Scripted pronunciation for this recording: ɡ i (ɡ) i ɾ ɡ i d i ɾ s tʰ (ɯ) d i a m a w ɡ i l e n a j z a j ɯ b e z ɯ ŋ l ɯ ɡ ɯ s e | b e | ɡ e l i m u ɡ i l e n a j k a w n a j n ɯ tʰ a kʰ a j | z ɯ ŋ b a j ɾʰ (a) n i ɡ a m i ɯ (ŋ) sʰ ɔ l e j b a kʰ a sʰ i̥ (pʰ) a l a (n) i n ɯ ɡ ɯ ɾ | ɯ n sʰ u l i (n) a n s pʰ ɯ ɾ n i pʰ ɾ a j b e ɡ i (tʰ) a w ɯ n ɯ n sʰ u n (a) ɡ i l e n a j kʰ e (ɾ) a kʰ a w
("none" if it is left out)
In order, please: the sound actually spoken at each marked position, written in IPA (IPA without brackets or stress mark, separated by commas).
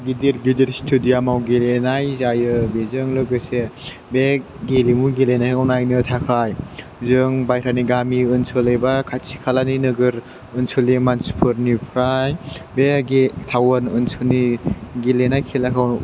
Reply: d, u, a, n, kʰ, n, m, tʰ, i, l